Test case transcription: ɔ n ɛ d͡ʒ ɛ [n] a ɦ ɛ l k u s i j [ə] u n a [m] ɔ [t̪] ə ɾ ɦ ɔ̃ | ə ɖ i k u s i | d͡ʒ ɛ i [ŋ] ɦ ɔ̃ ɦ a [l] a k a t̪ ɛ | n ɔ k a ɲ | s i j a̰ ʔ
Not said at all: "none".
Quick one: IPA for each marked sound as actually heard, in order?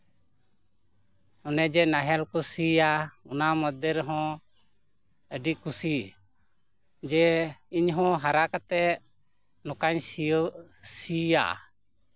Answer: n, a, m, d̪, ɲ, ɾ

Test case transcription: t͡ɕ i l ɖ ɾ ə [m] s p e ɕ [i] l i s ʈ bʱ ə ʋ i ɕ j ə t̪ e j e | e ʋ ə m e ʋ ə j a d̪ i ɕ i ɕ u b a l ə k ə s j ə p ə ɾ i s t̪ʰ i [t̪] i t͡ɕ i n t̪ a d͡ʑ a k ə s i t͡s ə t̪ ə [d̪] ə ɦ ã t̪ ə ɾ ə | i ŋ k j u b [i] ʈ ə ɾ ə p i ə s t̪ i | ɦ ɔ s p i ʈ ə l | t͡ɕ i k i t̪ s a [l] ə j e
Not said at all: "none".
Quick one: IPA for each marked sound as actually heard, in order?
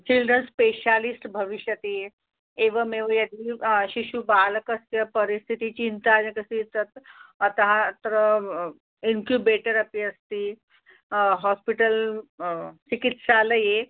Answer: n, a, t̪, t̪, e, l

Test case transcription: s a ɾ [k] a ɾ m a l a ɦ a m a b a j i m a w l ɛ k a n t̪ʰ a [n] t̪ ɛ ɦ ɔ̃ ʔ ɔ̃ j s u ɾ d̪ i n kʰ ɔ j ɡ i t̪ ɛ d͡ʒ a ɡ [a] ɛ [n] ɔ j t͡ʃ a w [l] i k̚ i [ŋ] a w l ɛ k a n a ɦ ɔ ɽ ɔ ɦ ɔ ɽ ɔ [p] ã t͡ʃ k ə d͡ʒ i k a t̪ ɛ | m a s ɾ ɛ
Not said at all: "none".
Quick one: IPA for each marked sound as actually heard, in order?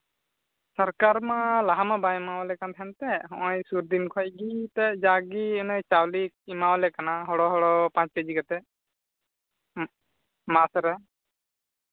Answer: k, n, i, n, l, m, p

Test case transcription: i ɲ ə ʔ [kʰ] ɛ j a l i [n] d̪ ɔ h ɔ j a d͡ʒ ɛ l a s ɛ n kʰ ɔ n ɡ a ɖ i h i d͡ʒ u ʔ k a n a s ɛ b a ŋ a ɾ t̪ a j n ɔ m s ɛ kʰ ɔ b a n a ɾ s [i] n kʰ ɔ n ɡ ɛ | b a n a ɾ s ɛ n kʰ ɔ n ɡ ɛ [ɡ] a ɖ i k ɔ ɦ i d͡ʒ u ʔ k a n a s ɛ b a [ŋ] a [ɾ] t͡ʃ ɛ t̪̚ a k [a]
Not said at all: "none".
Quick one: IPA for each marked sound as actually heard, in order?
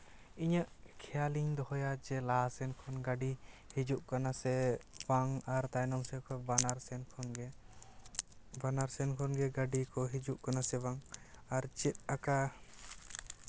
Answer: kʰ, ɲ, ɛ, ɡ, ŋ, ɾ, a

